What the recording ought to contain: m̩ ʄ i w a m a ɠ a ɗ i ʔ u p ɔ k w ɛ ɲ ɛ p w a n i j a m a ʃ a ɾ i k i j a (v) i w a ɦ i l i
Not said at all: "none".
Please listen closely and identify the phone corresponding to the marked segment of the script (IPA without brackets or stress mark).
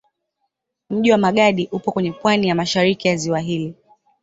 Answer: z